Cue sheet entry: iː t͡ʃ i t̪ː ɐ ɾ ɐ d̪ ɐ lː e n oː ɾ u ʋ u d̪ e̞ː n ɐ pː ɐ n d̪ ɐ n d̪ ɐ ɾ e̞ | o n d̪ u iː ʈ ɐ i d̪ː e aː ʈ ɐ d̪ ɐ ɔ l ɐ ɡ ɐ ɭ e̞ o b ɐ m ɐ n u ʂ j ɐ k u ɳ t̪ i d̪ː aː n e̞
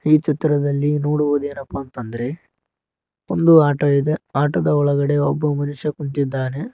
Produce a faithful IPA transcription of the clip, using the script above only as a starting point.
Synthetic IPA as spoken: iː t͡ʃ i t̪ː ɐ ɾ ɐ d̪ ɐ lː i n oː ɽ u ʋ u d̪ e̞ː n ɐ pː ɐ n t̪ ɐ n d̪ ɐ ɾ e̞ | o n d̪ u aː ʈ ɐ i d̪ e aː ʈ ɐ d̪ ɐ ɔ ɭ ɐ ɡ ɐ ɽ e̞ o bː ɐ m ɐ n u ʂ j ɐ k u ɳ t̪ i d̪ː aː n e̞